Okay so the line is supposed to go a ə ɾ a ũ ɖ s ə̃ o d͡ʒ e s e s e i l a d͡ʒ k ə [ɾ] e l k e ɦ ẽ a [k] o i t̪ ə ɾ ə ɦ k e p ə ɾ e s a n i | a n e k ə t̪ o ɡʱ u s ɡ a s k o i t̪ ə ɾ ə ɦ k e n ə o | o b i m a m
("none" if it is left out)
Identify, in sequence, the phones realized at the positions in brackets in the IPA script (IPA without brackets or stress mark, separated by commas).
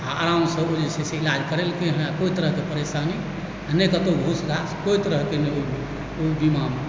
ɾ, k